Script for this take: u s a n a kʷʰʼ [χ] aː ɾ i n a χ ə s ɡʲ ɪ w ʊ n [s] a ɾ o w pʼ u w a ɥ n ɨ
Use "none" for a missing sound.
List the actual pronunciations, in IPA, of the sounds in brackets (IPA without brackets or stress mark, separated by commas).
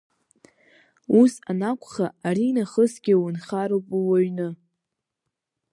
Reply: χ, χ